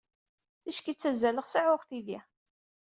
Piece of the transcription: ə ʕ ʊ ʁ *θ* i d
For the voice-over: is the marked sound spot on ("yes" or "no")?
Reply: yes